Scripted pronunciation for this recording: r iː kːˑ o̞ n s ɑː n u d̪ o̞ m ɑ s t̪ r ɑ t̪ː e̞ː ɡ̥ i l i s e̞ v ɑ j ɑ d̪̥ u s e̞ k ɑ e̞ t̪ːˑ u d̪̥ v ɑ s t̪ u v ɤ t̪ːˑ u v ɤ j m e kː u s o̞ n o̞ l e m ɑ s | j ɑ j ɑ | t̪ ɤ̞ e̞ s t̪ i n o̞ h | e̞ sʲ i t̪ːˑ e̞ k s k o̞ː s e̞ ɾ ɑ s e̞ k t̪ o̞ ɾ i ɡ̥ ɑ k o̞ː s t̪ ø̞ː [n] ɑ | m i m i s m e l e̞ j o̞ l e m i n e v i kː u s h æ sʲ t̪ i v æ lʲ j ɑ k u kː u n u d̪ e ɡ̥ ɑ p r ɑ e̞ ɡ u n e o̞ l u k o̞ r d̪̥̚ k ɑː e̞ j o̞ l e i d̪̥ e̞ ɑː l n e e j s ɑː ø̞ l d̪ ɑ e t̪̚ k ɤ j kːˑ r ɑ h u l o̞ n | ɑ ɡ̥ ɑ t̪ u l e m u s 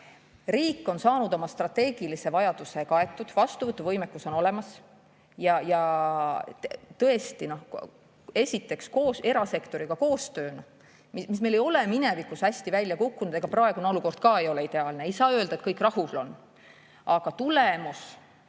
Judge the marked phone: correct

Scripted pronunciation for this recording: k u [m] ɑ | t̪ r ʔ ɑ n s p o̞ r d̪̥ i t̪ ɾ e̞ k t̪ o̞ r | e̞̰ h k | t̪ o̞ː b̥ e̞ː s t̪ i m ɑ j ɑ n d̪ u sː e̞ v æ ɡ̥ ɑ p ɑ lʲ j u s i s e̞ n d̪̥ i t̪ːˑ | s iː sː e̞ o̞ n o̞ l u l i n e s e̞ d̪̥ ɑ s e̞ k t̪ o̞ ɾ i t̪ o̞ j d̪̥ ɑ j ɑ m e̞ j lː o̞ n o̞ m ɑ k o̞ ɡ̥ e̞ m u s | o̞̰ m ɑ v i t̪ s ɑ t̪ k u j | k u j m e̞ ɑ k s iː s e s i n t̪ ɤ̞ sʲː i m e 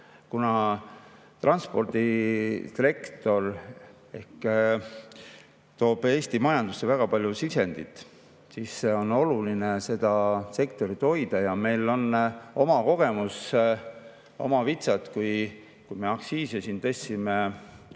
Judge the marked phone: incorrect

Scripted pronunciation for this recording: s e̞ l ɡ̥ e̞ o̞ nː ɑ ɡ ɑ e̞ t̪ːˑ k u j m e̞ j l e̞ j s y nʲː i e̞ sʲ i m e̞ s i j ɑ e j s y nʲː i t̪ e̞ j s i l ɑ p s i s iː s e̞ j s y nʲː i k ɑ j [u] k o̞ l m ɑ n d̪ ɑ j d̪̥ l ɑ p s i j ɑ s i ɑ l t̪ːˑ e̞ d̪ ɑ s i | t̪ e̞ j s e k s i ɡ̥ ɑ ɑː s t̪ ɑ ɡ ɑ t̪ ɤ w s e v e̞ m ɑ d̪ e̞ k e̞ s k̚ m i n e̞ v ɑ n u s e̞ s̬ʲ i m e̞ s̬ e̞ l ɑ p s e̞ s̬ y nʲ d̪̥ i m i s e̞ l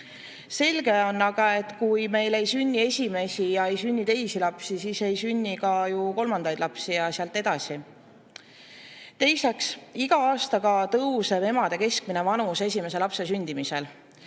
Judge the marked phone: correct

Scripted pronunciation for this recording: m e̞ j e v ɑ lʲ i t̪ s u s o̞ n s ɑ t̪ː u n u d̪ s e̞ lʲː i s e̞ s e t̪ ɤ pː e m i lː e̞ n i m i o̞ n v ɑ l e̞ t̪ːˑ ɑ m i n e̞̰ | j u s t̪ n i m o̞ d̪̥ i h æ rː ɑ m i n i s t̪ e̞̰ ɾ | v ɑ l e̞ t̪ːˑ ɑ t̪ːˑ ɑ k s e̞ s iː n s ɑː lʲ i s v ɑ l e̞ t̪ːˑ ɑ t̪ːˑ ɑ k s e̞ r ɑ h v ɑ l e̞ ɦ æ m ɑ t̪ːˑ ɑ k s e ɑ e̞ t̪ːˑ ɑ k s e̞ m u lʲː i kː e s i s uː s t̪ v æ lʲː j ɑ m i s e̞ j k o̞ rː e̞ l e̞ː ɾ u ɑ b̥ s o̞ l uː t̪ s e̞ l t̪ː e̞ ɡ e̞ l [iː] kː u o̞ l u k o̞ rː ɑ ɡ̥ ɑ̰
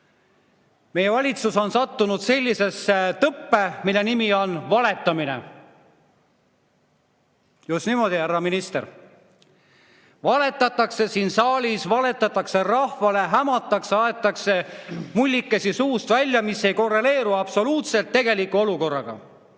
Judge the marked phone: incorrect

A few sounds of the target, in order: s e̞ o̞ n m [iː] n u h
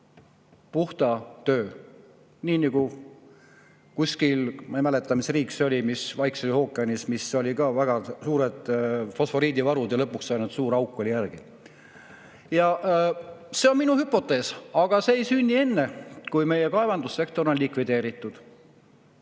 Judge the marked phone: incorrect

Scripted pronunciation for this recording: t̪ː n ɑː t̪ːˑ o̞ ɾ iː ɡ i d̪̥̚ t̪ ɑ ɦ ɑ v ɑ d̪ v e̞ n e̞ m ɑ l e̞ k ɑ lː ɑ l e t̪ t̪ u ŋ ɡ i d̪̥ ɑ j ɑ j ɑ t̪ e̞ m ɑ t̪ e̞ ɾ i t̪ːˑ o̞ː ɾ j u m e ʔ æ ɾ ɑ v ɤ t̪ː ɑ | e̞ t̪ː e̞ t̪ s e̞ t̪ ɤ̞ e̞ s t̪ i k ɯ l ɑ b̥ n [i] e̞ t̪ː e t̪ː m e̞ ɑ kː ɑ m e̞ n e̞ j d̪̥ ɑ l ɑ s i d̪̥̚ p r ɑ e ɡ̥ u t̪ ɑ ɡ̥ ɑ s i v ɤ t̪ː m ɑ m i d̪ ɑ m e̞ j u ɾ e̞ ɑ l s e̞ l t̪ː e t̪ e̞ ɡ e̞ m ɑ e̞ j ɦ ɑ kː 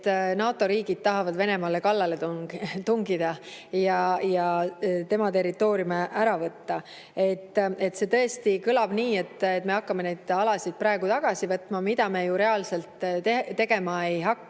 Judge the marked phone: incorrect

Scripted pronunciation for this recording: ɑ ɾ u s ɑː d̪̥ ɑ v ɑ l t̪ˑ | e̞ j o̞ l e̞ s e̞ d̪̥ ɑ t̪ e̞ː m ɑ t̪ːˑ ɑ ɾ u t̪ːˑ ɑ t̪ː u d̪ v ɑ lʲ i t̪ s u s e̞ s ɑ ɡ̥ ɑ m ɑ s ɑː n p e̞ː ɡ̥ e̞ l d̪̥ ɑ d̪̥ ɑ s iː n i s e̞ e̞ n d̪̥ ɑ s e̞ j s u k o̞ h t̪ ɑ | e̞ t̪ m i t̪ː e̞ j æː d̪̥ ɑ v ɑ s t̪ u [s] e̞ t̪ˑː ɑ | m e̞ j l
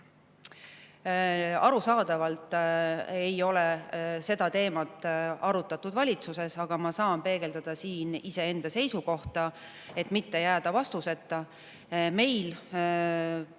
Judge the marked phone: correct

